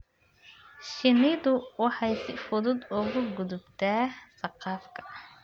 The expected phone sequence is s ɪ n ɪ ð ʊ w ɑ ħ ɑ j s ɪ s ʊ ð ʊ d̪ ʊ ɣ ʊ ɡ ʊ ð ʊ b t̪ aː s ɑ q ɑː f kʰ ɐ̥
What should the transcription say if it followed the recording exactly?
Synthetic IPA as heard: ʃ ɪ n ɪ ð ʊ w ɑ ħ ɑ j s ɪ f ʊ ð ʊ d̪ ʊ ɣ ʊ ɡ ʊ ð ʊ b t̪ʰ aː s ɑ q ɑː f kʰ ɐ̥